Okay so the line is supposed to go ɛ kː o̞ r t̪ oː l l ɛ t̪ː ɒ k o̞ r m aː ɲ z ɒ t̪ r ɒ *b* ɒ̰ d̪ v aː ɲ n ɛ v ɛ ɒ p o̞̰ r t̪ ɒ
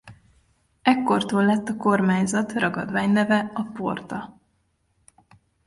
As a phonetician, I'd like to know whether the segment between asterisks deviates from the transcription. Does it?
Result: yes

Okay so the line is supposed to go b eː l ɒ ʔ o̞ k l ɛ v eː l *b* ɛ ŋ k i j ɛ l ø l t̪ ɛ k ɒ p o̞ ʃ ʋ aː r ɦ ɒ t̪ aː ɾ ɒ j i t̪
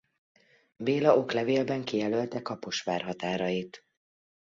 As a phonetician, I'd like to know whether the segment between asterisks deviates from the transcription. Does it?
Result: no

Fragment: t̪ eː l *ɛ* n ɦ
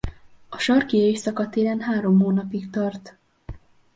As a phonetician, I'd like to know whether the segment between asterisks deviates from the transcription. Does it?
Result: no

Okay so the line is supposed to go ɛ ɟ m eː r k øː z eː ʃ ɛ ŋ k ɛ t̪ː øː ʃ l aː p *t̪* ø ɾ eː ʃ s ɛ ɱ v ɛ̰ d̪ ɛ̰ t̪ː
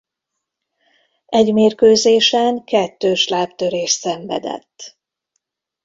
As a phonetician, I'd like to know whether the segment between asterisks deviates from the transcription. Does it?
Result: no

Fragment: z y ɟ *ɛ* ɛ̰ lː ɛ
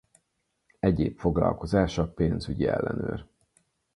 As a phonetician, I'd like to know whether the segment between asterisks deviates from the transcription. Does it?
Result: yes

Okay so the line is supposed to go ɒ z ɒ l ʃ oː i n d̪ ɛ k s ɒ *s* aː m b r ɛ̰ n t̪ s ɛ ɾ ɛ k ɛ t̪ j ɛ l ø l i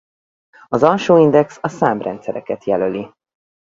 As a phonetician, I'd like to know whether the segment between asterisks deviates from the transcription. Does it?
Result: no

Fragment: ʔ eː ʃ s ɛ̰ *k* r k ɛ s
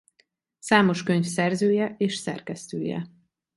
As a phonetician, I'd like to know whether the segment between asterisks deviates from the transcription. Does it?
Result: yes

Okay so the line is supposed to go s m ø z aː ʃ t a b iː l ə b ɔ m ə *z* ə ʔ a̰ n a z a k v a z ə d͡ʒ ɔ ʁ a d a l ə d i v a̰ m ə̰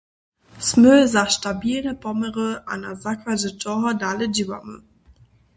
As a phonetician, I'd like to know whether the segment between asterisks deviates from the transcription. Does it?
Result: yes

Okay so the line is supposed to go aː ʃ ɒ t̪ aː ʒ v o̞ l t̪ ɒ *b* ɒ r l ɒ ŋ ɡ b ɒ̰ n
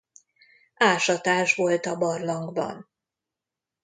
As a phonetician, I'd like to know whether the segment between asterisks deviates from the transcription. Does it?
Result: no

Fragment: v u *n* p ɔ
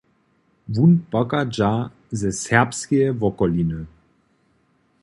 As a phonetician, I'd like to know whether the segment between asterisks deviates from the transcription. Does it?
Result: no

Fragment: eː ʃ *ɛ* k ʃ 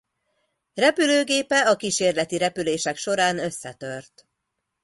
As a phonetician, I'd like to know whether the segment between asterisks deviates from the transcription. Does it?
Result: no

